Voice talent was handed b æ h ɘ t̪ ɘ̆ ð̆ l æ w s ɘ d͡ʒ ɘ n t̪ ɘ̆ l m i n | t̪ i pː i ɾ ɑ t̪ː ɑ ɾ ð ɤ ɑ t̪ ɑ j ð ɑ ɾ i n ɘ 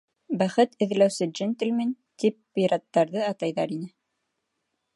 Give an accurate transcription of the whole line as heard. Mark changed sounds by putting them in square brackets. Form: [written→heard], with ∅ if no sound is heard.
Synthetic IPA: b æ [h→χ] ɘ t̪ ɘ̆ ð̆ l æ w s ɘ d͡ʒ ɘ n t̪ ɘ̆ l m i n | t̪ i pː i ɾ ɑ t̪ː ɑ ɾ ð ɤ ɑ t̪ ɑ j ð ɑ ɾ i n ɘ

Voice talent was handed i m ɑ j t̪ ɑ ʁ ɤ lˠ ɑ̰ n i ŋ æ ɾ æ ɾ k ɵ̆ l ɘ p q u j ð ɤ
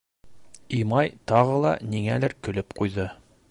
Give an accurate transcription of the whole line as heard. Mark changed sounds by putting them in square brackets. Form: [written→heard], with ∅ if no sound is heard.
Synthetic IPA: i m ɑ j t̪ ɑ ʁ ɤ lˠ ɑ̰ n i ŋ æ [ɾ→l] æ ɾ k ɵ̆ l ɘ p q u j ð ɤ

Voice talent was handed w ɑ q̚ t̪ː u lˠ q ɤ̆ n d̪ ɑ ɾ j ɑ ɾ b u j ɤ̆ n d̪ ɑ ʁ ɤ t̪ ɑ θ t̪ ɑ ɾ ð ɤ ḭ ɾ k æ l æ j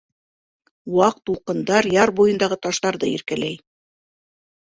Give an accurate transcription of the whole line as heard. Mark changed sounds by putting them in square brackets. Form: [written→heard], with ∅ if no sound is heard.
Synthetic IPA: w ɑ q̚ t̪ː u lˠ q ɤ̆ n d̪ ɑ ɾ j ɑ ɾ b u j ɤ̆ n d̪ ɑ ʁ ɤ t̪ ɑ [θ→ʃ] t̪ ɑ ɾ ð ɤ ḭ ɾ k æ l æ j

